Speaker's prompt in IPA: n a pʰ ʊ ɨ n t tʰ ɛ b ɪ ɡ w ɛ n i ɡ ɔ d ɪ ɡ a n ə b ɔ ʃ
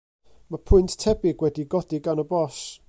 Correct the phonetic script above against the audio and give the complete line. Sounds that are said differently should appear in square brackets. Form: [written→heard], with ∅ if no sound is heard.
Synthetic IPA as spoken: [n→m] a pʰ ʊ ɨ n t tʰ ɛ b ɪ ɡ w ɛ [n→d] i ɡ ɔ d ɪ ɡ a n ə b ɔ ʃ